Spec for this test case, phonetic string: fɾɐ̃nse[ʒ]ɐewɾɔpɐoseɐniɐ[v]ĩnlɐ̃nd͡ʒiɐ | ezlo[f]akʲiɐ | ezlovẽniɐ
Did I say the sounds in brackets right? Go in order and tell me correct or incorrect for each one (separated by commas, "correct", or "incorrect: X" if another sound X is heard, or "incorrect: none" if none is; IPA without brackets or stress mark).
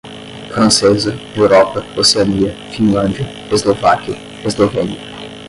incorrect: z, incorrect: f, incorrect: v